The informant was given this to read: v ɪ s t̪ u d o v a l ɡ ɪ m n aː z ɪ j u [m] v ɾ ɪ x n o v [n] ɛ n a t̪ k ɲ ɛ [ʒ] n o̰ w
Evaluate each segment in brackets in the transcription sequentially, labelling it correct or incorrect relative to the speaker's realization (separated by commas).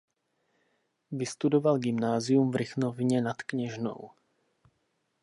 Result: correct, incorrect, correct